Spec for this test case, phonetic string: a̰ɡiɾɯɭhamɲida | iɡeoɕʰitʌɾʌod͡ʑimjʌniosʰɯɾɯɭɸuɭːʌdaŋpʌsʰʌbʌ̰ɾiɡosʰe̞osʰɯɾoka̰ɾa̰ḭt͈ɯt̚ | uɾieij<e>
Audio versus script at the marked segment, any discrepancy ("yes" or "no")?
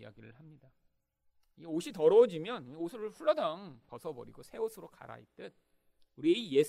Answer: no